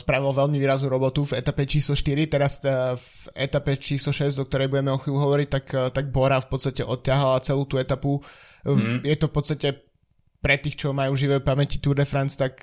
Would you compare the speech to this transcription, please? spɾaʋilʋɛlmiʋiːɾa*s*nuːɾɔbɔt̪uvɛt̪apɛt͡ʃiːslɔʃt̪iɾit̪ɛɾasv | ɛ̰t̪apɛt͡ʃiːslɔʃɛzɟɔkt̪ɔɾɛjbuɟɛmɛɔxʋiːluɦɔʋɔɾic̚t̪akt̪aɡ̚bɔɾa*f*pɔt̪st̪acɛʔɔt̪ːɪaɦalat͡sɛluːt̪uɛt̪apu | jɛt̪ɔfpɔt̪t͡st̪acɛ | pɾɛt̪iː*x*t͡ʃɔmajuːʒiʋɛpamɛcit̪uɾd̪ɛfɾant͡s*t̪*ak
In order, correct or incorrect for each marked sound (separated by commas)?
incorrect, correct, correct, correct